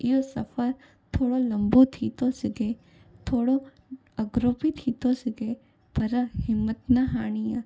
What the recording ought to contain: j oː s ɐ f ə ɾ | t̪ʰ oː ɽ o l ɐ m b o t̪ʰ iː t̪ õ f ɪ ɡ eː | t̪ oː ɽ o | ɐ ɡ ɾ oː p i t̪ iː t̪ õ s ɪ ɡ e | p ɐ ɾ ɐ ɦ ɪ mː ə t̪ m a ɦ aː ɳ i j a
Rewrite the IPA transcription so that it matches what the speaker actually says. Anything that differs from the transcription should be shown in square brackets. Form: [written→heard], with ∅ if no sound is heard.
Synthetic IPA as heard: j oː s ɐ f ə ɾ | t̪ʰ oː ɽ o l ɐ m b o t̪ʰ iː t̪ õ [f→s] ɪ ɡ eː | [t̪→t̪ʰ] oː ɽ o | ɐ ɡ ɾ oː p i [t̪→t̪ʰ] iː t̪ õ s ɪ ɡ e | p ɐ ɾ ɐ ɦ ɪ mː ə t̪ [m→n] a ɦ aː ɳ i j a

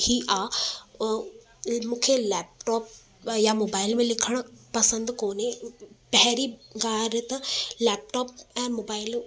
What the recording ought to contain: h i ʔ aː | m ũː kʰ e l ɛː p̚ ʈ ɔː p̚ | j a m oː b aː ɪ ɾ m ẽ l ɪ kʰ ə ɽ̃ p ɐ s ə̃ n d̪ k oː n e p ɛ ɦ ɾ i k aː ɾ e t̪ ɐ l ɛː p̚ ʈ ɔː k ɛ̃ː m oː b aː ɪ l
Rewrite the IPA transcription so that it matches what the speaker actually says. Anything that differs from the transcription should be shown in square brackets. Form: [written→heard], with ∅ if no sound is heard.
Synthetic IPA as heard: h i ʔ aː | m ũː kʰ e l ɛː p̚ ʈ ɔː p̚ | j a m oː b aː ɪ [ɾ→l] m ẽ l ɪ kʰ ə ɽ̃ p ɐ s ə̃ n d̪ k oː n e p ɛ ɦ ɾ i [k→ɡ] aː ɾ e t̪ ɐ l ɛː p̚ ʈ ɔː [k→p] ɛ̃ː m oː b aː ɪ l

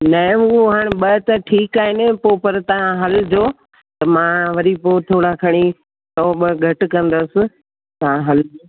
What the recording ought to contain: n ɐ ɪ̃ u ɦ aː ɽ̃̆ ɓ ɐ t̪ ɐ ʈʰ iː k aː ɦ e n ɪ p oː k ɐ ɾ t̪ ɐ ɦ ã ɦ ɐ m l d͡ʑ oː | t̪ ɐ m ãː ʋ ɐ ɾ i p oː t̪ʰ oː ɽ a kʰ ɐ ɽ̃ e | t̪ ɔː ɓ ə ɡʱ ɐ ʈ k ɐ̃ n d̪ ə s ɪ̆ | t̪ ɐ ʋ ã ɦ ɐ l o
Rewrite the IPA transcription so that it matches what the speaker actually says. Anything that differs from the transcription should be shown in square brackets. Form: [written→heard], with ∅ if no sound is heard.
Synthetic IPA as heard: n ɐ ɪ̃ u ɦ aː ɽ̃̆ ɓ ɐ t̪ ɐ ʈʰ iː k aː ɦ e n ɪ p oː [k→p] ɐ ɾ t̪ ɐ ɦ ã ɦ ɐ [m→∅] l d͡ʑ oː | t̪ ɐ m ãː ʋ ɐ ɾ i p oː t̪ʰ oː ɽ a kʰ ɐ ɽ̃ [e→i] | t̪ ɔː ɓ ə ɡʱ ɐ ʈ k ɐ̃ n d̪ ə s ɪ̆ | t̪ ɐ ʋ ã ɦ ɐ l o

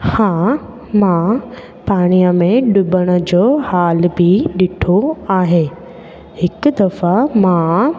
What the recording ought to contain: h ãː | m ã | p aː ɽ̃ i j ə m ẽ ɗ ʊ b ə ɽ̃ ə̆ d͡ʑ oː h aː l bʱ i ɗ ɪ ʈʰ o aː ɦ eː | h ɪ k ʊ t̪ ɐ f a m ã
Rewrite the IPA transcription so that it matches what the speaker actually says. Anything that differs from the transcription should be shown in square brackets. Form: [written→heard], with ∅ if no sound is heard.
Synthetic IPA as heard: h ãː | m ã | p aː ɽ̃ i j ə m ẽ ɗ ʊ b ə ɽ̃ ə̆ d͡ʑ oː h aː l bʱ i ɗ ɪ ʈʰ o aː ɦ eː | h ɪ k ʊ [t̪→d̪] ɐ f a m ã

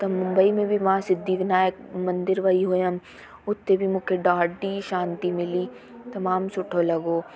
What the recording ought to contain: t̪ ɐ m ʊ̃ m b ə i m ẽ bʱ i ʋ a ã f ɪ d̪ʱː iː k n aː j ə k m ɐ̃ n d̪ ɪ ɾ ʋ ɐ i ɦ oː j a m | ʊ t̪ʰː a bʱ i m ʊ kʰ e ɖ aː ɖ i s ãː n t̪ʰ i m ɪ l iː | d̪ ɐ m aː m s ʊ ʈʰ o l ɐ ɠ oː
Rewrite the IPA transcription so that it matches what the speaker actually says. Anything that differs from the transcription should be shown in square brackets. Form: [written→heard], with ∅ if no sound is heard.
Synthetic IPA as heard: t̪ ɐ m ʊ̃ m b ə i m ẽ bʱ i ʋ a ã [f→s] ɪ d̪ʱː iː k n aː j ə k m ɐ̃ n d̪ ɪ ɾ ʋ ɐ i ɦ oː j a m | ʊ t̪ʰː [a→e] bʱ i m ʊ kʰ e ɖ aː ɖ i [s→ʃ] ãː n [t̪ʰ→t̪] i m ɪ l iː | [d̪→t̪] ɐ m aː m s ʊ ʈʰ o l ɐ [ɠ→ɡ] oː

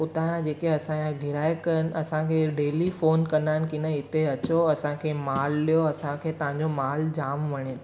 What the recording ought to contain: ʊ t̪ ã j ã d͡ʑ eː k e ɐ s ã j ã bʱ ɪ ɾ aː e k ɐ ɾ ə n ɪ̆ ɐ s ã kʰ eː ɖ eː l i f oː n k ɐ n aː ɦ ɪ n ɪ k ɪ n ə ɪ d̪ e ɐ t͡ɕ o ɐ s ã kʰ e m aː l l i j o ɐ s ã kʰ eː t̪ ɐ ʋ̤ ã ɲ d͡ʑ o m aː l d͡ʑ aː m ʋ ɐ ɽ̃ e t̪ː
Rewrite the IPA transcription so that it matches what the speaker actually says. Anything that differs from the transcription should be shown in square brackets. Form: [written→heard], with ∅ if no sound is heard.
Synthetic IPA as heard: ʊ t̪ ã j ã d͡ʑ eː k e ɐ s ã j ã [bʱ→ɡʱ] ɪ ɾ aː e k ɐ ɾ ə n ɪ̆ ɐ s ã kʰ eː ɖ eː l i f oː n k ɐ n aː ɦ ɪ n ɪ k ɪ n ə ɪ [d̪→t̪] e ɐ t͡ɕ o ɐ s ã kʰ e m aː l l i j o ɐ s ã kʰ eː t̪ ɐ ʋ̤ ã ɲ d͡ʑ o m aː l d͡ʑ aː m ʋ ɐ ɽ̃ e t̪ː

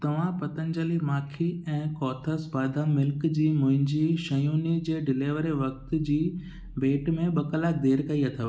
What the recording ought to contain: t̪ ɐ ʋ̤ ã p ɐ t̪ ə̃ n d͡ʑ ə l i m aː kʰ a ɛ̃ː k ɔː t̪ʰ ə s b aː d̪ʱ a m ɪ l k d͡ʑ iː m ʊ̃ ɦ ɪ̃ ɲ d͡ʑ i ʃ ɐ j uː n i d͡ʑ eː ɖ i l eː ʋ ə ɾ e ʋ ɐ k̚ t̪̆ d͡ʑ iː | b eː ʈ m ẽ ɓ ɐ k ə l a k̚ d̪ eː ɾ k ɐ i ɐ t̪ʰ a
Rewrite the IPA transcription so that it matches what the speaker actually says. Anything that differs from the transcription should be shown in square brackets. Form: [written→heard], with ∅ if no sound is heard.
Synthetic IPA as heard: t̪ ɐ ʋ̤ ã p ɐ t̪ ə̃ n d͡ʑ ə l i m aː kʰ [a→i] ɛ̃ː k ɔː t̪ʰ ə s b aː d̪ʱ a m ɪ l k d͡ʑ iː m ʊ̃ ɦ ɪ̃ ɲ d͡ʑ i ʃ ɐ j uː n i d͡ʑ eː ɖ [i→ɪ] l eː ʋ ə ɾ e ʋ ɐ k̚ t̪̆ d͡ʑ iː | b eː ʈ m ẽ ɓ ɐ k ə l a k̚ d̪ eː ɾ k ɐ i ɐ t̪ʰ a

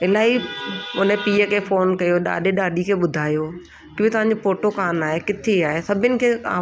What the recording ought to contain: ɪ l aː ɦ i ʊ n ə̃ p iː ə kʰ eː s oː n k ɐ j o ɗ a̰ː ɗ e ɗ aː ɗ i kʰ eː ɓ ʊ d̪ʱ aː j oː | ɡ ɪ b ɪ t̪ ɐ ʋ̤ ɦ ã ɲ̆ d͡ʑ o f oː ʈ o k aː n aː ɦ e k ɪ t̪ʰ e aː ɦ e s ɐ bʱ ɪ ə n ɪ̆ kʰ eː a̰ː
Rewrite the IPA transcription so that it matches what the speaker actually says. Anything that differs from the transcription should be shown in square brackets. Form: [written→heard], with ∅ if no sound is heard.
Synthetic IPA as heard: ɪ l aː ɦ i ʊ n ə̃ p iː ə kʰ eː [s→f] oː n k ɐ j o ɗ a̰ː ɗ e ɗ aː ɗ i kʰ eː ɓ ʊ d̪ʱ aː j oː | [ɡ→k] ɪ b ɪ t̪ ɐ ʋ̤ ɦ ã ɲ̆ d͡ʑ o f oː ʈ o k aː n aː ɦ e k ɪ t̪ʰ e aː ɦ e s ɐ bʱ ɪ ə n ɪ̆ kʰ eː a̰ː

